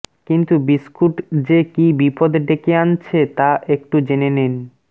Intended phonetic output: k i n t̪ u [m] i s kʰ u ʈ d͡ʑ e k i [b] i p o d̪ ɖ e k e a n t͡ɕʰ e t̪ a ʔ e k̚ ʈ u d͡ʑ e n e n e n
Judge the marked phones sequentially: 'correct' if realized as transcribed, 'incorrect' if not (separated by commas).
incorrect, correct